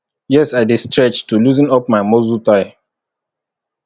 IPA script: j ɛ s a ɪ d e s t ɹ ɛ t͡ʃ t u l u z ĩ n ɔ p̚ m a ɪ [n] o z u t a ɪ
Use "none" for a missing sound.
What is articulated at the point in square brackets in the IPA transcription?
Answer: m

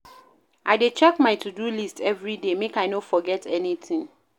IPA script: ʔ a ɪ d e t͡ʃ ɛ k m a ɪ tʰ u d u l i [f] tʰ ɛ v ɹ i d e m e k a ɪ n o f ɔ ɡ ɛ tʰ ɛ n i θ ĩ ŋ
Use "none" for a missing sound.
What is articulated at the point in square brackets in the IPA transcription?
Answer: s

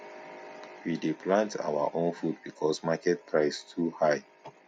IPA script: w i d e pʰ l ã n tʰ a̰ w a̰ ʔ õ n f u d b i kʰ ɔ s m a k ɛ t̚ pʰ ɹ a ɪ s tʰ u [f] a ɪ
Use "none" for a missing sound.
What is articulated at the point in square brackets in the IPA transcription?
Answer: h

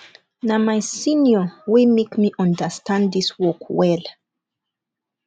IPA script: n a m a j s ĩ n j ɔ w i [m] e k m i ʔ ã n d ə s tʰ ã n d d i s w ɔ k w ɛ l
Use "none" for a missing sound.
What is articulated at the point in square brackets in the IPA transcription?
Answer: m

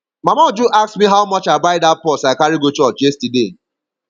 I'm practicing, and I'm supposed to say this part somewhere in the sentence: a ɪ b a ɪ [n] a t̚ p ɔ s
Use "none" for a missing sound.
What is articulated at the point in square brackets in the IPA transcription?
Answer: d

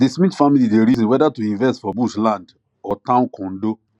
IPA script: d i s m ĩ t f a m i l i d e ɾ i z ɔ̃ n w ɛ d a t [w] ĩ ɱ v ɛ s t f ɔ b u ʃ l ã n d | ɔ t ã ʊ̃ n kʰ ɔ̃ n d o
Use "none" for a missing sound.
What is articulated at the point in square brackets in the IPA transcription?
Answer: u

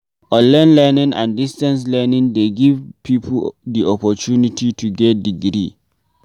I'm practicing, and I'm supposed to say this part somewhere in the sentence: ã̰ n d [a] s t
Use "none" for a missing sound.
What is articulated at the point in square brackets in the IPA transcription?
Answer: i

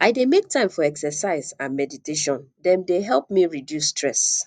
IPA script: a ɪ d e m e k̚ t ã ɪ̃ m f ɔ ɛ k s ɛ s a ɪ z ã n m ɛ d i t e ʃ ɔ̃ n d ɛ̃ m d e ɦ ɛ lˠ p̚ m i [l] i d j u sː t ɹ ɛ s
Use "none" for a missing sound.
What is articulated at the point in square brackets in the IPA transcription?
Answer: ɹ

